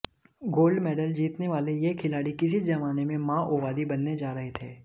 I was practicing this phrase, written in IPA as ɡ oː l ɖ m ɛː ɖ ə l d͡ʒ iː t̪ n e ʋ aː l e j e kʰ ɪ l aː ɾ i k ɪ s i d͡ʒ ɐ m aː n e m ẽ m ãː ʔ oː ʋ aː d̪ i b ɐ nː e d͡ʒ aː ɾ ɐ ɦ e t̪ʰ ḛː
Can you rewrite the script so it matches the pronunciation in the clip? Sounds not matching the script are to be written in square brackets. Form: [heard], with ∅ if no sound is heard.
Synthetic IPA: ɡ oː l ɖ m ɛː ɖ ə l d͡ʒ iː t̪ n e ʋ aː l e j e kʰ ɪ l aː [ɽ] i k ɪ s i d͡ʒ ɐ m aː n e m ẽ m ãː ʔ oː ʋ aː d̪ i b ɐ nː e d͡ʒ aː ɾ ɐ ɦ e t̪ʰ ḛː